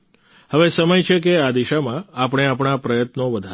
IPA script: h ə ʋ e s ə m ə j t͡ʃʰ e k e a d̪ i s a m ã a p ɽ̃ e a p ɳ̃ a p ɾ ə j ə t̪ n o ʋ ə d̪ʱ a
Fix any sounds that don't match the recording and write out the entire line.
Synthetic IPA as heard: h ə ʋ e s ə m ə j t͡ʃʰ e k e a d̪ i ʃ a m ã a p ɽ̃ e a p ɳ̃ a p ɾ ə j ə t̪ n o ʋ ə d̪ʱ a